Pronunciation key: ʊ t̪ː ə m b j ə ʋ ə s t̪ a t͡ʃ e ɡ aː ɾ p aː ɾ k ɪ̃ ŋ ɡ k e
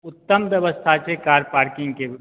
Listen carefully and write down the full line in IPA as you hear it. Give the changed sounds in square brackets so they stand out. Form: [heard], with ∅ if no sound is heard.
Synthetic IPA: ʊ t̪ː ə m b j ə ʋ ə s [t̪ʰ] a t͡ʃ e [k] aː ɾ p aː ɾ k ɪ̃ ŋ ɡ k e